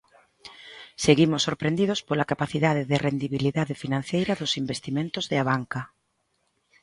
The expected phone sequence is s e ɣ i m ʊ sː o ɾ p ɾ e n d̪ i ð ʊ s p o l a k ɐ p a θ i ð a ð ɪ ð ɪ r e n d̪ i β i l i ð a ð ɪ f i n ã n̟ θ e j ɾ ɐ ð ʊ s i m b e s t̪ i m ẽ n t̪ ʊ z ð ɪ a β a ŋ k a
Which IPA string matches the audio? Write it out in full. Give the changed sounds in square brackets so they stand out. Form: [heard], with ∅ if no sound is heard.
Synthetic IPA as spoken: s e ɣ i m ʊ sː o ɾ p ɾ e n d̪ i ð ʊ s p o l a k [a] p a θ i ð a ð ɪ ð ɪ r e n d̪ i β i l i ð a ð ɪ f i n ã n̟ θ e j ɾ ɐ ð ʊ s i m b e s t̪ i m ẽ n t̪ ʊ z ð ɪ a β a ŋ k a